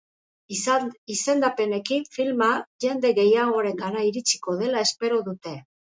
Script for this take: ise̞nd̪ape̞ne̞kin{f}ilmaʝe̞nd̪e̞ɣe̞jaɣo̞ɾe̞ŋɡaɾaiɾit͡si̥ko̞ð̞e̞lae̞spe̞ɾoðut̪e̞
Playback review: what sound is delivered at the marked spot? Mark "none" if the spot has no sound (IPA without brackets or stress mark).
f